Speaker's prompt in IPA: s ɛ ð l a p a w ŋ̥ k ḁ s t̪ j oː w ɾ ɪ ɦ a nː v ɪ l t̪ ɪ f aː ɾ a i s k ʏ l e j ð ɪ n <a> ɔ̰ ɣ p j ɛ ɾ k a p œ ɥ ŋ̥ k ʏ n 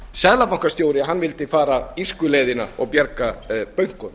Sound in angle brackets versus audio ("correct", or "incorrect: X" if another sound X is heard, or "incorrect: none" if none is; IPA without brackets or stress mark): correct